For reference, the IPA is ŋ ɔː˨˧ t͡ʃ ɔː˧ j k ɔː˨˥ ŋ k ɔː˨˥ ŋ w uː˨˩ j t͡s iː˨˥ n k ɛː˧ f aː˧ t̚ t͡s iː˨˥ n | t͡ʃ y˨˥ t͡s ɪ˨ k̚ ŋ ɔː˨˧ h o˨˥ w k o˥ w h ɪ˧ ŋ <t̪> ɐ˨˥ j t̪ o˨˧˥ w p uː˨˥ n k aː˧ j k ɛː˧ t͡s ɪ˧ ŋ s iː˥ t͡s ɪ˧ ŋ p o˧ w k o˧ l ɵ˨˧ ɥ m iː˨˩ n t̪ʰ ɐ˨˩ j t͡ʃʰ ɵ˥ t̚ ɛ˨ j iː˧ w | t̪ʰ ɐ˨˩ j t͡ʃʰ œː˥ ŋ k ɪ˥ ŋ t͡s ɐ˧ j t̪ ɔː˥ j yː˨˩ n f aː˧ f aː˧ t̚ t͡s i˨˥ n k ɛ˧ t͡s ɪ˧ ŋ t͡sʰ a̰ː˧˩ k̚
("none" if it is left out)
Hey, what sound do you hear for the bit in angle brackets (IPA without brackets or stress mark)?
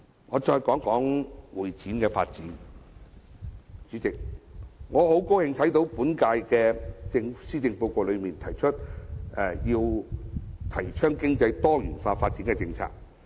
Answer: t̪ʰ